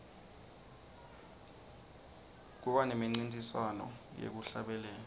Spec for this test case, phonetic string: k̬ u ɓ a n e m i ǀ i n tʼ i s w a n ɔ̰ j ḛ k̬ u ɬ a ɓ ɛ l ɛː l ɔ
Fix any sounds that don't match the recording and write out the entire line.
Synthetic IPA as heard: k̬ u ɓ a n e m i ŋ͡ǀ i n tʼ i s w a n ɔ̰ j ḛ k̬ u ɬ a ɓ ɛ l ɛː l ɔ